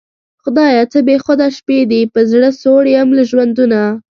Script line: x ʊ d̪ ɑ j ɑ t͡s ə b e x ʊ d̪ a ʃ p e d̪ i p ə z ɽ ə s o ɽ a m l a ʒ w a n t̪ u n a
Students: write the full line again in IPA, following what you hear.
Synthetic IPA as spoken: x ʊ d̪ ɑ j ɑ t͡s ə b e x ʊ d̪ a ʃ p e d̪ i p ə z ɽ ə s o ɽ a m l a ʒ w a n d̪ u n a

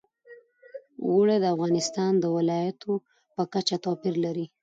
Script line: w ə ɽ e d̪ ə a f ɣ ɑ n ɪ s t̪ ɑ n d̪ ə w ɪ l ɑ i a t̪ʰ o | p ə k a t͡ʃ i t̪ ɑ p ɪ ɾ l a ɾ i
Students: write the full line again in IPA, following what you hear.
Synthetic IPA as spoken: w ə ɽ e d̪ ə a f ɣ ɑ n ɪ s t̪ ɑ n d̪ ə w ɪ l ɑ j a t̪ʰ o | p ə k a t͡ʃ a t̪ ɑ p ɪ ɾ l a ɾ i

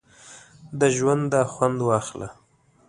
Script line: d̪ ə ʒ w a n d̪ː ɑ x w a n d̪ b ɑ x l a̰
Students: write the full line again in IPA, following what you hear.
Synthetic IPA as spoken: d̪ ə ʒ w a n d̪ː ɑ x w a n d̪ w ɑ x l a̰

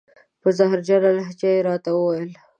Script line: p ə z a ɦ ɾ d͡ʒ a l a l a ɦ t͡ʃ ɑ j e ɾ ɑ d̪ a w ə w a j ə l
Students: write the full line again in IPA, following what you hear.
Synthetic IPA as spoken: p ə z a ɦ ɾ d͡ʒ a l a l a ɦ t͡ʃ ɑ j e ɾ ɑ t̪ a w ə w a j ə l

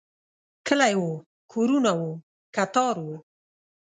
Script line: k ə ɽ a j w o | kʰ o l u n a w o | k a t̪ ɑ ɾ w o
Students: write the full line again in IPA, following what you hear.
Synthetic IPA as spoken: k ə l a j w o | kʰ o ɾ u n a w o | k a t̪ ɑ ɾ w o

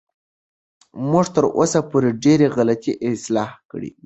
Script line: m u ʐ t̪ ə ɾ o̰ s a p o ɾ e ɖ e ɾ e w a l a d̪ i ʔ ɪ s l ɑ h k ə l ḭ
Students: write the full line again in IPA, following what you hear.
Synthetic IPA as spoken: m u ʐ t̪ ə ɾ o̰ s a p o ɾ e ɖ e ɾ e ɣ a l a t̪ i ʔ ɪ s l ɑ h k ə ɽ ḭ

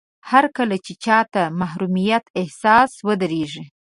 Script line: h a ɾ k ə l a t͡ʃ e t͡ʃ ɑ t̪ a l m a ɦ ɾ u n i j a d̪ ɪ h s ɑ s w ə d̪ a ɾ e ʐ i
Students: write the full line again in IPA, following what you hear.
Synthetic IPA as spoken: h a ɾ k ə l a t͡ʃ e t͡ʃ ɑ t̪ a m a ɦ ɾ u m i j a t̪ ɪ h s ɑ s w ə d̪ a ɾ e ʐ i

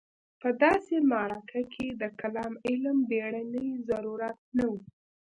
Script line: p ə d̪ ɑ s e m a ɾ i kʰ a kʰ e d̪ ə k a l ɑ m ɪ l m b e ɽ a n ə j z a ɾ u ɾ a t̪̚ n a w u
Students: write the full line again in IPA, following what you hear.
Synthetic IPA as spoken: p ə d̪ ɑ s e m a ɾ a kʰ a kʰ e d̪ ə k a l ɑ m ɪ l m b e ɽ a n ə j z a ɾ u ɾ a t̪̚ n a w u

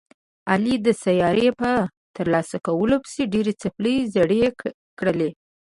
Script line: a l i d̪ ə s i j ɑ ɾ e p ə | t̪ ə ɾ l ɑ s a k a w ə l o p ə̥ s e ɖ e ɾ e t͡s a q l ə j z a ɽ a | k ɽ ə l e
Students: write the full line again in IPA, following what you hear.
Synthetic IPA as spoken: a l i d̪ ə s a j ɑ ɾ e p ə | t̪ ə ɾ l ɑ s a k a w ə l o p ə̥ s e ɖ e ɾ e t͡s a p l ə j z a ɽ e | k ɽ ə l e

